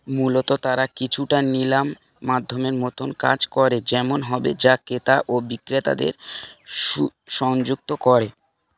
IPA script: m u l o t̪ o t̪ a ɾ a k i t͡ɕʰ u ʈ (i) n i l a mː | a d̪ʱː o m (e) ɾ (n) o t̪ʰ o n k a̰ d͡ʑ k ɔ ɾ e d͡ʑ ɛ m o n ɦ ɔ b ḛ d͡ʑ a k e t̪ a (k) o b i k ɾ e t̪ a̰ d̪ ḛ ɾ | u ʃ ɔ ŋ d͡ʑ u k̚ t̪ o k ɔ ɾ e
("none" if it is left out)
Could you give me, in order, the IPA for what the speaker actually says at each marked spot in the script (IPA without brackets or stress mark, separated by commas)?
a, e, m, ʔ